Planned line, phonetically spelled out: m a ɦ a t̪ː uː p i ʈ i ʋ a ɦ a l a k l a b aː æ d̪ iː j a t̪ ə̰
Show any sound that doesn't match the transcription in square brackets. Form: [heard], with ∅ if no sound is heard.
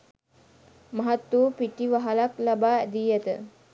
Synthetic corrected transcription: m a ɦ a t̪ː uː p i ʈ i ʋ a ɦ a l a k l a b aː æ d̪ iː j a t̪ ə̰